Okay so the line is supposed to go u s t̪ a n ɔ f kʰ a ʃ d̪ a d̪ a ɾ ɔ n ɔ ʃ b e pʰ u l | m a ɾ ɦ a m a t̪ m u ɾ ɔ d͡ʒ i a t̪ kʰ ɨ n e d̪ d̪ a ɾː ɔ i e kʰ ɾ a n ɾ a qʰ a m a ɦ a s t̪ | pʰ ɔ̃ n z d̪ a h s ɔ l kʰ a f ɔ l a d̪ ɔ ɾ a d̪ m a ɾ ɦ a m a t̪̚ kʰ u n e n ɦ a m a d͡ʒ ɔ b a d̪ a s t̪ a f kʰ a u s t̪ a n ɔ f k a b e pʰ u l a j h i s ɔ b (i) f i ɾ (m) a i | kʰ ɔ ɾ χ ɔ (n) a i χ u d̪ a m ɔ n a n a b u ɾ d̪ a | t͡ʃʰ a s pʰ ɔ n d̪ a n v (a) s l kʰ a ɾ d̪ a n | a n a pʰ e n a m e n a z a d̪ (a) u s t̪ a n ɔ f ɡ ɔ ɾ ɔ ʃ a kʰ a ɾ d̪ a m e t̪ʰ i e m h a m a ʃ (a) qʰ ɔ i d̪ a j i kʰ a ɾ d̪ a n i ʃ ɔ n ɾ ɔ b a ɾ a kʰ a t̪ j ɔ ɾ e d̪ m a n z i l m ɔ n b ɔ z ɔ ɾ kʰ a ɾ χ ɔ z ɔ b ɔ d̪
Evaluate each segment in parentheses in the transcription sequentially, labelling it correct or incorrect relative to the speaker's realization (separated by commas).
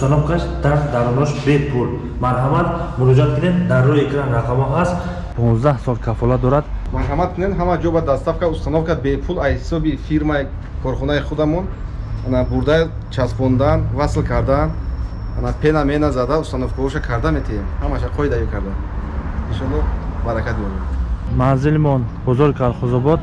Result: correct, correct, correct, correct, correct, correct